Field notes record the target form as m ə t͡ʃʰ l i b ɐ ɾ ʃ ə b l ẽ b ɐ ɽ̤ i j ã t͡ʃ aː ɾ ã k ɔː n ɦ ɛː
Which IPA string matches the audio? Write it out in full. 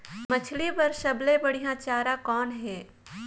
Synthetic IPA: m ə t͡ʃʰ l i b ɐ ɾ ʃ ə b l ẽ b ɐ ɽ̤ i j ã t͡ʃ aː ɾ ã k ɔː n ɦ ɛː